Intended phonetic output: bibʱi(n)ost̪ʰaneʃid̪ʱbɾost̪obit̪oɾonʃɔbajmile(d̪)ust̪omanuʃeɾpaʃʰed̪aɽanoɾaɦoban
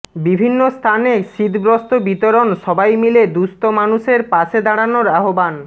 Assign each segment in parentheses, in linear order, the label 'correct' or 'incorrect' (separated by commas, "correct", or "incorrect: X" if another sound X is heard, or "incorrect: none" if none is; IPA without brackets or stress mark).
incorrect: nː, correct